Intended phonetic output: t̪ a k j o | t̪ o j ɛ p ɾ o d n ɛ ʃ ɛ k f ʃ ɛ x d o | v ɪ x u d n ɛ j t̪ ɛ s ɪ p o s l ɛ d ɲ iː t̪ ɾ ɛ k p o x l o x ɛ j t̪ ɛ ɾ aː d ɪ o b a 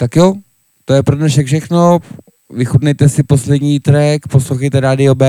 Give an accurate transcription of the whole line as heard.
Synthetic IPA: t̪ a k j o | t̪ o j ɛ p ɾ o d n ɛ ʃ ɛ k f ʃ ɛ x n o | v ɪ x u d n ɛ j t̪ ɛ s ɪ p o s l ɛ d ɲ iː t̪ ɾ ɛ k p o s l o x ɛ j t̪ ɛ ɾ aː d ɪ o b ɛ